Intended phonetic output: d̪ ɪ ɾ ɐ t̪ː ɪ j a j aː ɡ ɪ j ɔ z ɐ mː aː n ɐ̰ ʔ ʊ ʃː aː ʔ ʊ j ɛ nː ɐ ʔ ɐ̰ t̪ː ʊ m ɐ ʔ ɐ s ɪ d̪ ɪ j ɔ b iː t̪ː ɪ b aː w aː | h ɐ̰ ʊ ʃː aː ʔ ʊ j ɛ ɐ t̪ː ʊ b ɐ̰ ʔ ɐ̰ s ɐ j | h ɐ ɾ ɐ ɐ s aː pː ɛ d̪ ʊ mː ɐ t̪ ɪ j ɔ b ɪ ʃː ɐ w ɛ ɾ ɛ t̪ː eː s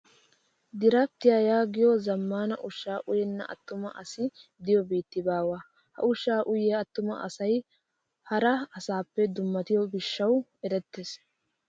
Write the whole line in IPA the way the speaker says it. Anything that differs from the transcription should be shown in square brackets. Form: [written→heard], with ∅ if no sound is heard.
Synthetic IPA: d̪ ɪ ɾ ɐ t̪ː ɪ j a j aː ɡ ɪ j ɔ z ɐ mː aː n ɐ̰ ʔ ʊ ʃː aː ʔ ʊ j ɛ nː ɐ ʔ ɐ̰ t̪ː ʊ m ɐ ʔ ɐ s ɪ d̪ ɪ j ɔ b iː t̪ː ɪ b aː w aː | h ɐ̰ ʊ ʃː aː ʔ ʊ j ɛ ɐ t̪ː ʊ [b→m] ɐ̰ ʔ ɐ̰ s ɐ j | h ɐ ɾ ɐ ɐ s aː pː ɛ d̪ ʊ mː ɐ t̪ ɪ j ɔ b ɪ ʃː ɐ w ɛ ɾ ɛ t̪ː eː s